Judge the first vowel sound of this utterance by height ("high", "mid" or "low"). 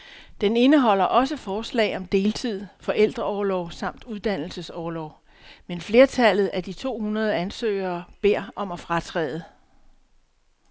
mid